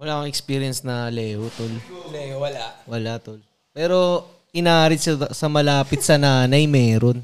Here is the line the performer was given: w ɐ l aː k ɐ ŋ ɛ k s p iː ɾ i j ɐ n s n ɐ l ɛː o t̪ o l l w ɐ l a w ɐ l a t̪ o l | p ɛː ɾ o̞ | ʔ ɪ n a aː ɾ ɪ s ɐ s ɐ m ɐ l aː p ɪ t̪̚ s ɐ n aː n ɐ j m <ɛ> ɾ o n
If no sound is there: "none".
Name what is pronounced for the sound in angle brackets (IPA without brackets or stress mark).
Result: ɛː